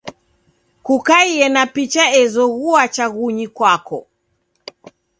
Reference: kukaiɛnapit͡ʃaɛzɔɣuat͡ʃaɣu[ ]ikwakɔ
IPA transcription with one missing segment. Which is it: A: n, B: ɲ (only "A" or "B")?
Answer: B